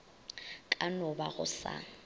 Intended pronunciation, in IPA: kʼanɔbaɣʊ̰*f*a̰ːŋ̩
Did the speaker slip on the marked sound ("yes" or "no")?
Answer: yes